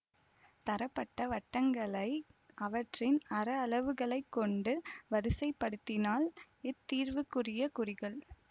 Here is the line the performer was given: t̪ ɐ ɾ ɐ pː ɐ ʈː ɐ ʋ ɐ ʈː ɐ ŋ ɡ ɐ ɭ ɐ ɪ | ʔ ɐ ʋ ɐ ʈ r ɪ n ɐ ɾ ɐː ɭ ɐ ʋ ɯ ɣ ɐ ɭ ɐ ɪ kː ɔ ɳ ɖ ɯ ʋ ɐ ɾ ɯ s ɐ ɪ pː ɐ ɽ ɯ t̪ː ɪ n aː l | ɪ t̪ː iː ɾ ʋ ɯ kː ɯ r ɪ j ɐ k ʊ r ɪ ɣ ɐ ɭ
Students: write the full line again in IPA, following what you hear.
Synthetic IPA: t̪ ɐ ɾ ɐ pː ɐ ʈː ɐ ʋ ɐ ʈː ɐ ŋ ɡ ɐ ɭ ɐ ɪ | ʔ ɐ ʋ ɐ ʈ r ɪ n ɐ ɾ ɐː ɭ ɐ ʋ ɯ ɣ ɐ ɭ ɐ ɪ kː ɔ ɳ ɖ ɯ ʋ ɐ ɾ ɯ s ɐ ɪ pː ɐ ɽ ɯ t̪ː ɪ n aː l | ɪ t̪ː iː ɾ ʋ ɯ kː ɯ r ɪ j ɐ k ʊ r ɪ ɣ ɐ ɭ